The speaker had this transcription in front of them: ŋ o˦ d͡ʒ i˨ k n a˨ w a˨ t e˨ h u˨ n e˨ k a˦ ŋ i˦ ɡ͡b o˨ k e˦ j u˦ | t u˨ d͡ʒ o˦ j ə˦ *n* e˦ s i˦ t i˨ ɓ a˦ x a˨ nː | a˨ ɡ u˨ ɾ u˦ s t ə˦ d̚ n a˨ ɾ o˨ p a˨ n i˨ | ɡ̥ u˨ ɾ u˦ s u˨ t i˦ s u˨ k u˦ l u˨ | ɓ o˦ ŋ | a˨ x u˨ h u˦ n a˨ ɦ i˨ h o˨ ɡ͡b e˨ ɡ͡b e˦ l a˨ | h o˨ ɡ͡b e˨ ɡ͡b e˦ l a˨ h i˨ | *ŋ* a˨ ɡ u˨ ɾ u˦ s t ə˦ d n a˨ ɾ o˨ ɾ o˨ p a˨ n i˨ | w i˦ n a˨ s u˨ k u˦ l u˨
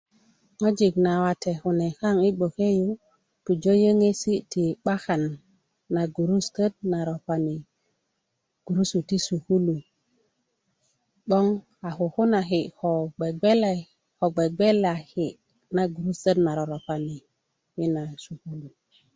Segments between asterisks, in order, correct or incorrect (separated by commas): incorrect, incorrect